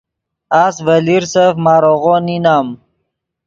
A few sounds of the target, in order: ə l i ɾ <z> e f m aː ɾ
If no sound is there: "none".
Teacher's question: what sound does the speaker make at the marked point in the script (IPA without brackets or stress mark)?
s